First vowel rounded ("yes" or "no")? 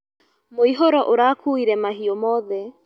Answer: yes